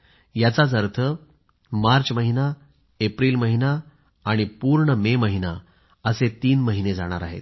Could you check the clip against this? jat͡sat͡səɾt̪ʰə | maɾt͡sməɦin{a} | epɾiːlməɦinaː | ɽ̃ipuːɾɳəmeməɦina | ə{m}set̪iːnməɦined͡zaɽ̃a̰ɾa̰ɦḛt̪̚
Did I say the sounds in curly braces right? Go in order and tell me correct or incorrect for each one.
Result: correct, incorrect: none

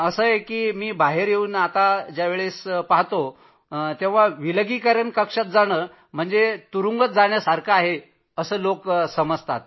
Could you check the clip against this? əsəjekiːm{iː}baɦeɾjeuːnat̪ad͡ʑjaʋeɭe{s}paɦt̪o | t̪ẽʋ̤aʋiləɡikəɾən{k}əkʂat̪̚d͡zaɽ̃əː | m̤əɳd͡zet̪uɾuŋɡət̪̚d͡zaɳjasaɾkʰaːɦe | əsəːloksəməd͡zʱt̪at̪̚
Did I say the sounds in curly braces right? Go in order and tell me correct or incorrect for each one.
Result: correct, correct, correct

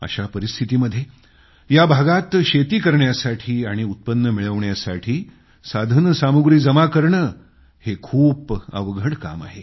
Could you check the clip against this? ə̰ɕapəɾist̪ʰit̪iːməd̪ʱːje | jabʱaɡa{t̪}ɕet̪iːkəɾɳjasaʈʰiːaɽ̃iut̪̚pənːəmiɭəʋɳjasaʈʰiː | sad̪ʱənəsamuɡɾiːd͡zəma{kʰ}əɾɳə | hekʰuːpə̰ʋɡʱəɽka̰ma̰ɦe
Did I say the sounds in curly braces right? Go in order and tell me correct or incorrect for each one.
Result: correct, incorrect: k

